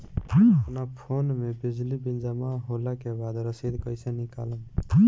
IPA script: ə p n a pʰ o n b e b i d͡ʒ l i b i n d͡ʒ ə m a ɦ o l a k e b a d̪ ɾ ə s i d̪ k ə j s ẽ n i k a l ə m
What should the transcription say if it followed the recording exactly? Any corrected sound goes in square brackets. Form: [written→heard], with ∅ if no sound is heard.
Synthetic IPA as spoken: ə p n a pʰ o n [b→m] e b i d͡ʒ l i b i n d͡ʒ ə m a ɦ o l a k e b a d̪ ɾ ə s i d̪ k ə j s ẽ n i k a l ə m